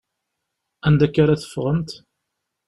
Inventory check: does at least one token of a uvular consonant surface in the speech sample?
yes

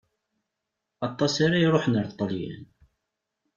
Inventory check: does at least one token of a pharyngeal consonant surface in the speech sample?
yes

